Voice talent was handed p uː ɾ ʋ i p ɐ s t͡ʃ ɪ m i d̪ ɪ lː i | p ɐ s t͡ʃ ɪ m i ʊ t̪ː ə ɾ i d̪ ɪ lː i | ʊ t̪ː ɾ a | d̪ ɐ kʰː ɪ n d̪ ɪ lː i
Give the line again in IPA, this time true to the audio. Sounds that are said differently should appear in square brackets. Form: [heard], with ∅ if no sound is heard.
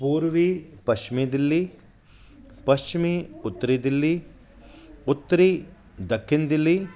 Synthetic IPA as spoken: p uː ɾ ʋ i p ɐ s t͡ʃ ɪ m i d̪ ɪ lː i | p ɐ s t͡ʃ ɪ m i ʊ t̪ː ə ɾ i d̪ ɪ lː i | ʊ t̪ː ɾ [i] | d̪ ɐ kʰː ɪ n d̪ ɪ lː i